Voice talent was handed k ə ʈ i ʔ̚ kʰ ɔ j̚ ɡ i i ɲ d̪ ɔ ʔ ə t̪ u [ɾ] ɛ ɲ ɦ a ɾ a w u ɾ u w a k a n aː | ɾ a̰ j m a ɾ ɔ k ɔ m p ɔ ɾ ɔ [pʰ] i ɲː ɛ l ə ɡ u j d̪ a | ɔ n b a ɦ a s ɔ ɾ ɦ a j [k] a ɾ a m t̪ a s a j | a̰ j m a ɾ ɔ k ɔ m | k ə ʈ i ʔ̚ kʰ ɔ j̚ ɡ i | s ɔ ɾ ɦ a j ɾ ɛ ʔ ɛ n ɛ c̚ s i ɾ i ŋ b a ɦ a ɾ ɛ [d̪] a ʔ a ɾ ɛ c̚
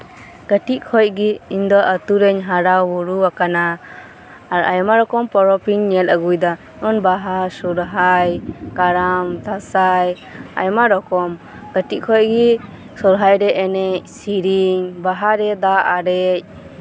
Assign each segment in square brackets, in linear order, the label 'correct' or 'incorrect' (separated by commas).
correct, incorrect, correct, correct